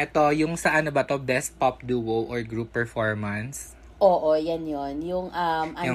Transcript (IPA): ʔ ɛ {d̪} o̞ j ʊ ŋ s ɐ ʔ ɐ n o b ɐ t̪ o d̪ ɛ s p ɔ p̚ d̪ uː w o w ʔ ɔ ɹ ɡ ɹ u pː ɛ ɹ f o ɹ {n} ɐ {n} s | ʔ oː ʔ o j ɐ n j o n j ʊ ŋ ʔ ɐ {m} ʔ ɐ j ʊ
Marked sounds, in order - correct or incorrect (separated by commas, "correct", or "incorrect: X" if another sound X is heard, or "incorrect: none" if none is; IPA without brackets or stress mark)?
incorrect: t̪, incorrect: m, correct, correct